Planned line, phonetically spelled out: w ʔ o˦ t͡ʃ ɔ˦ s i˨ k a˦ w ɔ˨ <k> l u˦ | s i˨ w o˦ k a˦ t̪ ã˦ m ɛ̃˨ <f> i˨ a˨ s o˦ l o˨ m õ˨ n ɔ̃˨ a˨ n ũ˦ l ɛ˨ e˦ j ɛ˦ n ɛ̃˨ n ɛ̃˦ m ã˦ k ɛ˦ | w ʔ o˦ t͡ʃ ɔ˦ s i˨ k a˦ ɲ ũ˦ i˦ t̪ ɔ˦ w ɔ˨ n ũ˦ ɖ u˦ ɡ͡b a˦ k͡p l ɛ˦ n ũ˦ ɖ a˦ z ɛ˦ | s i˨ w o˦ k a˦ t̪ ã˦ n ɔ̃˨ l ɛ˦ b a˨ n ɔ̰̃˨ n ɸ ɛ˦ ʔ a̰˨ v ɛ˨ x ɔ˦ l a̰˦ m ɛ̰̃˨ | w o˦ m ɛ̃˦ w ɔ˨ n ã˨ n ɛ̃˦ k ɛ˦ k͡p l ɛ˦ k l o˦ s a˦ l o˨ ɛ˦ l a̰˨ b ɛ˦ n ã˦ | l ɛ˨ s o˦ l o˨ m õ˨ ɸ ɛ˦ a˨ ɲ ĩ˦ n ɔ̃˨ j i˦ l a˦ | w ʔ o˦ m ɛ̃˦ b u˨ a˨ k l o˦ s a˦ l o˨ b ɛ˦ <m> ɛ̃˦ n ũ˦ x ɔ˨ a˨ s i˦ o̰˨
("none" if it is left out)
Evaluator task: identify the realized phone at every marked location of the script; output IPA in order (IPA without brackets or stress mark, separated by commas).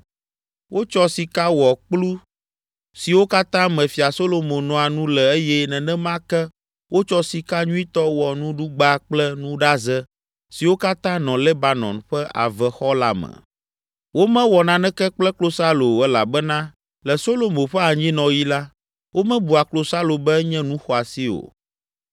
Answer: k͡p, f, ɲ